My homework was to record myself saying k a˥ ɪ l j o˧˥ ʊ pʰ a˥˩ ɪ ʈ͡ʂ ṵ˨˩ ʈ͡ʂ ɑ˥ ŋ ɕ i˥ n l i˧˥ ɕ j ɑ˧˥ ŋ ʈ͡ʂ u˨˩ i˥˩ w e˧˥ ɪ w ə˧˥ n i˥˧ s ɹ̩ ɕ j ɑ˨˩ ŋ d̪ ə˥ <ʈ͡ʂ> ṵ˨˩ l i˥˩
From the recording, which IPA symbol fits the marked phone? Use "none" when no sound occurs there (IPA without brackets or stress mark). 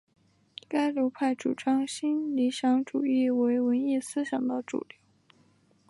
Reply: ʈ͡ʂ